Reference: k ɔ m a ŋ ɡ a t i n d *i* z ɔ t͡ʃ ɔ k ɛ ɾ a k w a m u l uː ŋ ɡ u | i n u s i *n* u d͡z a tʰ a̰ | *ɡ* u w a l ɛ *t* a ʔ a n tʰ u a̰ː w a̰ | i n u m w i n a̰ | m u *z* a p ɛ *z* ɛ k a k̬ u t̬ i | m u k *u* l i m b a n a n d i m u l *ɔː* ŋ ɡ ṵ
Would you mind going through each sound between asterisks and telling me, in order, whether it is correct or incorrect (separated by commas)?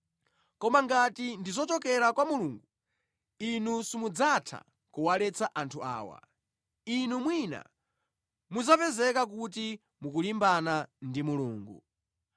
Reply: correct, incorrect, incorrect, incorrect, correct, correct, correct, incorrect